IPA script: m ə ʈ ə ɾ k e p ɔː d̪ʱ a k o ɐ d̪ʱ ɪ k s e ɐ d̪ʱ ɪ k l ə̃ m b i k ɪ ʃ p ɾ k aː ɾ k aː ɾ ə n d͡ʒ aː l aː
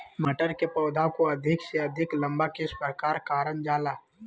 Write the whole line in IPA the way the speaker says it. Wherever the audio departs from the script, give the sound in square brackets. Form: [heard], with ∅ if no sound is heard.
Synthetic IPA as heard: m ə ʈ ə ɾ k e p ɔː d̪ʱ a k o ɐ d̪ʱ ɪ k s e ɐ d̪ʱ ɪ k l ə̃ m b [a] k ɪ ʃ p ɾ k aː ɾ k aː ɾ ə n d͡ʒ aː l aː